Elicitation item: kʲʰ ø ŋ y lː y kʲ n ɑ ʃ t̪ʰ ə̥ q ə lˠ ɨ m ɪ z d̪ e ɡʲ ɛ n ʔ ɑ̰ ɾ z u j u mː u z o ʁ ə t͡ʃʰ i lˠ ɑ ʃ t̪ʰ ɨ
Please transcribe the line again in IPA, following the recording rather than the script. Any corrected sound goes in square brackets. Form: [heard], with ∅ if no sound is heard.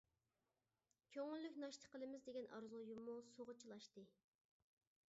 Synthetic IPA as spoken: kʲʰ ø ŋ y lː y kʲ n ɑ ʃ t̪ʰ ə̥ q ə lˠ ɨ m ɪ z d̪ e ɡʲ ɛ n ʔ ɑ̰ ɾ z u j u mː u [s] o ʁ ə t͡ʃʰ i lˠ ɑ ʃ [t̪] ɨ